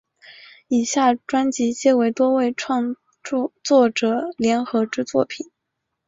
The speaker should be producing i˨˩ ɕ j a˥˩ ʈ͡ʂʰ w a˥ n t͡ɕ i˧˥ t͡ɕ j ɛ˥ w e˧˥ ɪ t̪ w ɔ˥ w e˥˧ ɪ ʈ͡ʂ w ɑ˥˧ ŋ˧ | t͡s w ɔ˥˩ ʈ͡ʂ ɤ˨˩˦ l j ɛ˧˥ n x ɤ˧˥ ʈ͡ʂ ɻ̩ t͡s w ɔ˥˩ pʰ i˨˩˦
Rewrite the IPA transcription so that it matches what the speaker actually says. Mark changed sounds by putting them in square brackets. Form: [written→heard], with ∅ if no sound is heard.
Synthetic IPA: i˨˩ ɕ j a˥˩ [ʈ͡ʂʰ→ʈ͡ʂ] w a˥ n t͡ɕ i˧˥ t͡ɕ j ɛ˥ w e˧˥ ɪ t̪ w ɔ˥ w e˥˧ ɪ [ʈ͡ʂ→ʈ͡ʂʰ] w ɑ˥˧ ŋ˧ | t͡s w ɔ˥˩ ʈ͡ʂ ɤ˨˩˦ l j ɛ˧˥ n x ɤ˧˥ ʈ͡ʂ ɻ̩ t͡s w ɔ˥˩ pʰ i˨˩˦